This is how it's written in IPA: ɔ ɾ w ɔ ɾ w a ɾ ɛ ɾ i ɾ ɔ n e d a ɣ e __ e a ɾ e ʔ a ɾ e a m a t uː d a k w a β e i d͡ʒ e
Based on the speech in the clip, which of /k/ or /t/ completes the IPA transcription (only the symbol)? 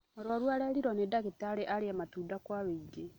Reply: t